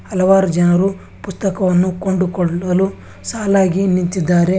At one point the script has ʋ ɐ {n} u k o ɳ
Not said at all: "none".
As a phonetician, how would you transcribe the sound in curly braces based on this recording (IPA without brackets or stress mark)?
nː